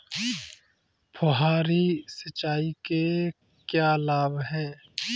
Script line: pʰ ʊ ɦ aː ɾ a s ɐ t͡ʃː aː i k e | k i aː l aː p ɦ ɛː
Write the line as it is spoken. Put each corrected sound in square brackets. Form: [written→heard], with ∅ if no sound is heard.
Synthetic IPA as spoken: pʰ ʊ ɦ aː ɾ [a→i] s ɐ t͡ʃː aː i k e | k [i→j] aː l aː [p→b] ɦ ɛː